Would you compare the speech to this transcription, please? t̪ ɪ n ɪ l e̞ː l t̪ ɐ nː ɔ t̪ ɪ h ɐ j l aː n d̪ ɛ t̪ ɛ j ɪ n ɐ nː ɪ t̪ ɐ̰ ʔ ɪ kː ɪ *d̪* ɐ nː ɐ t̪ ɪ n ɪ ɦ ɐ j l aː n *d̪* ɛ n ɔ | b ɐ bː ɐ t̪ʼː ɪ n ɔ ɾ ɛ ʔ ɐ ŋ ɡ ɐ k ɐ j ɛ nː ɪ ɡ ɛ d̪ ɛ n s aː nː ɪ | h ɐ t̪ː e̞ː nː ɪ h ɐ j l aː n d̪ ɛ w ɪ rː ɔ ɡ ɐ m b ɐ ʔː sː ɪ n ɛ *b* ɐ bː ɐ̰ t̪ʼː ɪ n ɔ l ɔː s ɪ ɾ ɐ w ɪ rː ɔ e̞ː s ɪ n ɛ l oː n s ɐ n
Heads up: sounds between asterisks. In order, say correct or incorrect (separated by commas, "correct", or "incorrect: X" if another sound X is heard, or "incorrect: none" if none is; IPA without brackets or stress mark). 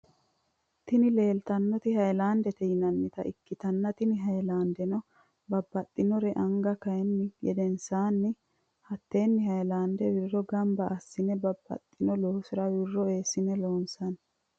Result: incorrect: t̪, correct, correct